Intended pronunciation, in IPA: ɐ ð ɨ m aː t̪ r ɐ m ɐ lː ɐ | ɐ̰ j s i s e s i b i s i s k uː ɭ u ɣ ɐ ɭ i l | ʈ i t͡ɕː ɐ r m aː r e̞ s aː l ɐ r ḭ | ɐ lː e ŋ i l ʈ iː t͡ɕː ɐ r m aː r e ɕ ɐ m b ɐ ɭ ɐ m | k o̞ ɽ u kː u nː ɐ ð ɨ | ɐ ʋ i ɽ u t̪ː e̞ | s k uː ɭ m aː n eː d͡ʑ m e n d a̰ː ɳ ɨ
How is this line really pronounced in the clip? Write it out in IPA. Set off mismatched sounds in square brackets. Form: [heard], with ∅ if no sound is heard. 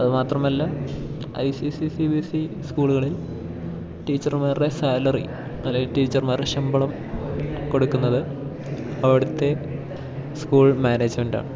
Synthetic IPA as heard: ɐ ð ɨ m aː t̪ r ɐ m ɐ lː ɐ | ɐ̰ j s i s [i] s i b i s i s k uː ɭ u ɣ ɐ ɭ i l | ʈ [iː] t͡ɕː ɐ r m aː r e̞ s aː l ɐ r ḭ | ɐ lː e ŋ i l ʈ iː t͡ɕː ɐ r m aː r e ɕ ɐ m b ɐ ɭ ɐ m | k o̞ ɽ u kː u nː ɐ ð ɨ | ɐ ʋ i ɽ u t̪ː e̞ | s k uː ɭ m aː n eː d͡ʑ m e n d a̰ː ɳ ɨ